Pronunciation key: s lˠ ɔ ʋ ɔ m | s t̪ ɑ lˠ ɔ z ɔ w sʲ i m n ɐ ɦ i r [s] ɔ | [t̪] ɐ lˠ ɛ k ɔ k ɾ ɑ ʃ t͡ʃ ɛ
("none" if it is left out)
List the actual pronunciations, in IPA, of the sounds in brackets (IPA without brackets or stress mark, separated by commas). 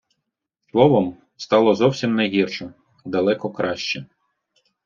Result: ʃ, d̪